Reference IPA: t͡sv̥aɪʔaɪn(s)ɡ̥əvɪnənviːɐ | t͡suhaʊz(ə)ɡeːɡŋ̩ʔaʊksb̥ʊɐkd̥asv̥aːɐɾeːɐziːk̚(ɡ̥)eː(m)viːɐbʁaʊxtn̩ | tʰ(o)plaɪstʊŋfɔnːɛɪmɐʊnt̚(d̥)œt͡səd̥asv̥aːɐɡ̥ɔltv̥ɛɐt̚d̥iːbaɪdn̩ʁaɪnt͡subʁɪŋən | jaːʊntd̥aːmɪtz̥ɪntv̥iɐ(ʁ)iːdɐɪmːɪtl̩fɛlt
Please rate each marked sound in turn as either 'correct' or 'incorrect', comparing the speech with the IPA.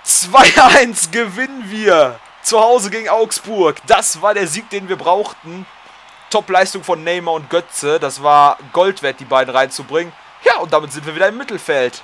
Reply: correct, correct, incorrect: d̥, incorrect: n, incorrect: ɔ, incorrect: ɡ̥, incorrect: v

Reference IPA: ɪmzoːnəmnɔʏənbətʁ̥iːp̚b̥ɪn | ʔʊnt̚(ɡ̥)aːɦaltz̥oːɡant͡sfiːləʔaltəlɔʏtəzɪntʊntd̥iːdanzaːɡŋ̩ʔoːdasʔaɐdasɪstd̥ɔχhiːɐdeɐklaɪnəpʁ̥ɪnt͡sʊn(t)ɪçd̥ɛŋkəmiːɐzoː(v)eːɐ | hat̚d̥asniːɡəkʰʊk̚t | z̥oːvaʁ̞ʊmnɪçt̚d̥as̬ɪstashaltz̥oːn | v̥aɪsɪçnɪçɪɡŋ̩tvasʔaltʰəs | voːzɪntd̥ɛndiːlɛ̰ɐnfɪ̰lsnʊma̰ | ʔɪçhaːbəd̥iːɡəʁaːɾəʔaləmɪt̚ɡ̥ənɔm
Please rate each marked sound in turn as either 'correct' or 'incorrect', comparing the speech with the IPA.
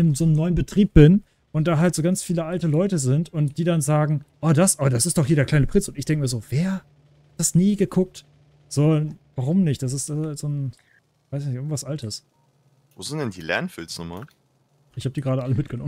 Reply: incorrect: d̥, correct, correct

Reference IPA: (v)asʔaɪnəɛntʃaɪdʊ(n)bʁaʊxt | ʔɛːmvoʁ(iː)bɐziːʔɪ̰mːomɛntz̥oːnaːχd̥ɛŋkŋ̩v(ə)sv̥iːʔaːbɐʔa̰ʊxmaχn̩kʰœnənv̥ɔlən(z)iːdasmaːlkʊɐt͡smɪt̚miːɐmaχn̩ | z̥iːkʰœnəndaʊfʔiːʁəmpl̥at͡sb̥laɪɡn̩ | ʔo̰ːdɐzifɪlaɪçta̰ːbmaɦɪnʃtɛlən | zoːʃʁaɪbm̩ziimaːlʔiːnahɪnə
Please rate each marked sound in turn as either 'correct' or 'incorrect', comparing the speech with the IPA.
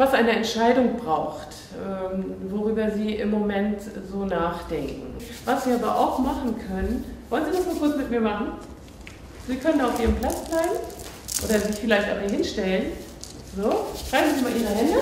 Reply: correct, incorrect: ŋ, incorrect: yː, incorrect: a, correct

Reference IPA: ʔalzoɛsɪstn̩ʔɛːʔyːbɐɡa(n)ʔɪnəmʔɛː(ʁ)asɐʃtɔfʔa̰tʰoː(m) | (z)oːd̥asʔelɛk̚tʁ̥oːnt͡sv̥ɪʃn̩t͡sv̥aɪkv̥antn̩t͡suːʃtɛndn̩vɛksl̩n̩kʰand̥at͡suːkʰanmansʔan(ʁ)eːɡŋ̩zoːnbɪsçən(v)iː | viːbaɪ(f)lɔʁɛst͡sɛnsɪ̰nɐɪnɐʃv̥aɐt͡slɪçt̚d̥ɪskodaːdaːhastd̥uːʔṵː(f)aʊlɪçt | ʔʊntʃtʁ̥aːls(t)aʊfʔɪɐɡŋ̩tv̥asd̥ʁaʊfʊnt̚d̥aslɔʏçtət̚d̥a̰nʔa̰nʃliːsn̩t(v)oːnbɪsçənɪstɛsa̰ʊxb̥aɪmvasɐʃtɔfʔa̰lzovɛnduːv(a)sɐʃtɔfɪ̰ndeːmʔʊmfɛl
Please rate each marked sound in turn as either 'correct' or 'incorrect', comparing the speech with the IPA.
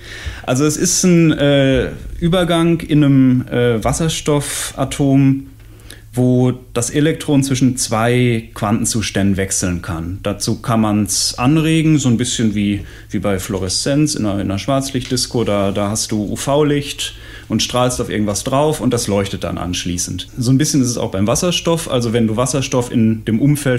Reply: incorrect: ŋ, incorrect: v, correct, incorrect: v, correct, correct, correct, correct, correct, incorrect: z, correct

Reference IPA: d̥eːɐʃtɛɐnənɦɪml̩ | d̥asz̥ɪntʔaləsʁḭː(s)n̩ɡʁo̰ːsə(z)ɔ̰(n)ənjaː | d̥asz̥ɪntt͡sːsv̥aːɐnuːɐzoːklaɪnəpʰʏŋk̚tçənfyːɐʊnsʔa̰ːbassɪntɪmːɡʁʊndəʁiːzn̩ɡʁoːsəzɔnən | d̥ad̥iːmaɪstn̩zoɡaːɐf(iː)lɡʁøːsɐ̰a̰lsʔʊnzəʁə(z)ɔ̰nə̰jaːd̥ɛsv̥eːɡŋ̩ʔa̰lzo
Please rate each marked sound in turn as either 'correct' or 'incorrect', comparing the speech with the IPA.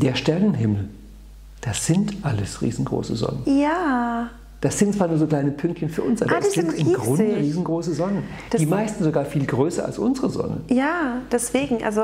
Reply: incorrect: z, correct, correct, correct, correct

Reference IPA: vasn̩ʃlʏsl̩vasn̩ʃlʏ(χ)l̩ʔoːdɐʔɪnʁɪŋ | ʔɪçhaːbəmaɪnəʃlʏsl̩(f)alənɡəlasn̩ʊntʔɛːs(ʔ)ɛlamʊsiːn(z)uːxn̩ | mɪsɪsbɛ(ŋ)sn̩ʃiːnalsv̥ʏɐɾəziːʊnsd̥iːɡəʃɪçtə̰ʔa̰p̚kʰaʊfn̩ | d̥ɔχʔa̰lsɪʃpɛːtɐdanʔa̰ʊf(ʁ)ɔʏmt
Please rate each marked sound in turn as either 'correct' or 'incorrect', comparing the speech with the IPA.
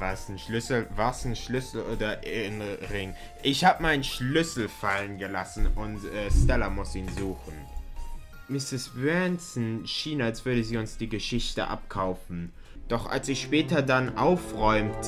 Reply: incorrect: s, correct, incorrect: t, correct, incorrect: n, correct

